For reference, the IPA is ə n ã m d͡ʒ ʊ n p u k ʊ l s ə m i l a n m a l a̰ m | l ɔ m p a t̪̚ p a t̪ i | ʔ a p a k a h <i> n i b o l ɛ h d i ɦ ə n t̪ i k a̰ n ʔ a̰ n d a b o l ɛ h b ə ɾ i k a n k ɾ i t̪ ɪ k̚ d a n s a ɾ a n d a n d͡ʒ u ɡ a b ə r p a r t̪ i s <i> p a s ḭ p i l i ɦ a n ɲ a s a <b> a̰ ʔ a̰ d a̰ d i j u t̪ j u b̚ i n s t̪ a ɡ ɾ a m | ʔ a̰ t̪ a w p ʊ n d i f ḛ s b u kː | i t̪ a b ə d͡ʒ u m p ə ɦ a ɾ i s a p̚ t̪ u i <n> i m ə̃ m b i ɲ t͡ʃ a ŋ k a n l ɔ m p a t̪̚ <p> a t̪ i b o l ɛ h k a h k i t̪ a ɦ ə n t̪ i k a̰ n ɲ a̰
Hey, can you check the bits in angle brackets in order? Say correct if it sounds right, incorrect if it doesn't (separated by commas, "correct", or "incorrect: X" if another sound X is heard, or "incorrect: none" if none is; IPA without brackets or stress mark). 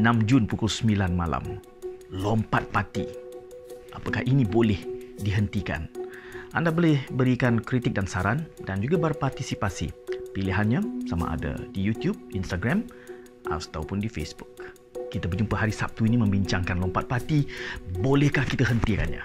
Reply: correct, correct, incorrect: m, correct, correct